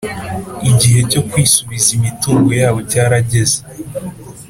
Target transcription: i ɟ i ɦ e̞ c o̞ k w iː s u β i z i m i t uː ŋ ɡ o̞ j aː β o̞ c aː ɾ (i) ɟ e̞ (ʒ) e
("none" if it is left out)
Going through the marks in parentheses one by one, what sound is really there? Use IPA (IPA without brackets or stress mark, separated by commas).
a, z